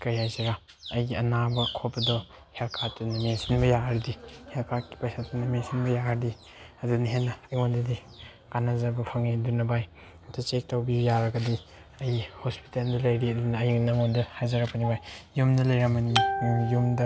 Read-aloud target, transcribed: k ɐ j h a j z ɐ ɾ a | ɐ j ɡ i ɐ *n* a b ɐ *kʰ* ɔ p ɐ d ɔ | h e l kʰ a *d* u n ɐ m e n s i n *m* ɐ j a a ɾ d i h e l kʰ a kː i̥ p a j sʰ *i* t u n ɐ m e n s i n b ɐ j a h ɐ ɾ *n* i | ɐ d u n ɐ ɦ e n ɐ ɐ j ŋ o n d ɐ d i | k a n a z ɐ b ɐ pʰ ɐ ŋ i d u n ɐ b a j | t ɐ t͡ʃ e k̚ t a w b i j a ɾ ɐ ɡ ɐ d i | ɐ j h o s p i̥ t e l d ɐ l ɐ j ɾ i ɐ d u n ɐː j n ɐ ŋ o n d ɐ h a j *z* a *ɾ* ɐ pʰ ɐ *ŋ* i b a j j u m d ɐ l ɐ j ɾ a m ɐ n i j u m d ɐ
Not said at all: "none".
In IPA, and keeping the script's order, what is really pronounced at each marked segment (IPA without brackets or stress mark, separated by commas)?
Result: n, kʰ, t, b, a, d, z, ɾ, n